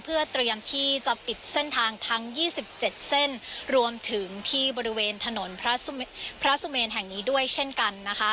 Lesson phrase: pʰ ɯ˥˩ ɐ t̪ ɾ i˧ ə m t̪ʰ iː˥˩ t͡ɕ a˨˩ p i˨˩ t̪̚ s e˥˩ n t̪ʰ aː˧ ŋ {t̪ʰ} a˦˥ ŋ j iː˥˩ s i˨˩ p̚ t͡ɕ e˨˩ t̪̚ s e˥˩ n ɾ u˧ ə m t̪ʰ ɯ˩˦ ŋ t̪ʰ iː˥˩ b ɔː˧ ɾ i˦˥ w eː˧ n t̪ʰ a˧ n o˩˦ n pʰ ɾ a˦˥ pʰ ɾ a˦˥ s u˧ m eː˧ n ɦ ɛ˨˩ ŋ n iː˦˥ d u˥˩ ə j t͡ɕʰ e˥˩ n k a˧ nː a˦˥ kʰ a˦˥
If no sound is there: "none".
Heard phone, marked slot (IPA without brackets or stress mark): t̪ʰ